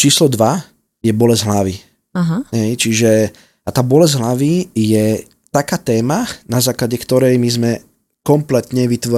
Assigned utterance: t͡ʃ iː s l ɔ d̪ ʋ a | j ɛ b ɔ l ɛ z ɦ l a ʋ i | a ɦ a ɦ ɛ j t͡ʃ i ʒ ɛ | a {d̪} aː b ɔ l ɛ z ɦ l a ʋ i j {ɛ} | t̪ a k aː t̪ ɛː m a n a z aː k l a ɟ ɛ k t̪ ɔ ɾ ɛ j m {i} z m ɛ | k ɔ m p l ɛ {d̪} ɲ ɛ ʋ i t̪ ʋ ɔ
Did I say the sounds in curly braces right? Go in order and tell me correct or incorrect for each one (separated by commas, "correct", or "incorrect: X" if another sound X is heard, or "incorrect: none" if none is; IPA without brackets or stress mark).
incorrect: t̪, correct, correct, incorrect: t̪